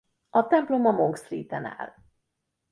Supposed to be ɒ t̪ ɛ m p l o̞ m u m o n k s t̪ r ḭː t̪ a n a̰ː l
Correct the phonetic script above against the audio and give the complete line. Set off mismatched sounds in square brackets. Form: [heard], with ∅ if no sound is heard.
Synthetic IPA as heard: ɒ t̪ ɛ m p l o̞ m [ɒ] m o [ŋ] k s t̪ r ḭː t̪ [ɛ] n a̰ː l